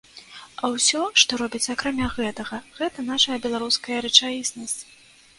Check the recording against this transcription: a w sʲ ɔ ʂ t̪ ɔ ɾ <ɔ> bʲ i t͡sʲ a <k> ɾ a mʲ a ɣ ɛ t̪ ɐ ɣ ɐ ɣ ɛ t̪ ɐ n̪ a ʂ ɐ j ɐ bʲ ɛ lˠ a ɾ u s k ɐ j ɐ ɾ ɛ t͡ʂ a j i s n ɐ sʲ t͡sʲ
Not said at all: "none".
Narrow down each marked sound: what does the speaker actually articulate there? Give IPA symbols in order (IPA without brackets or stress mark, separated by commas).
ɔ, k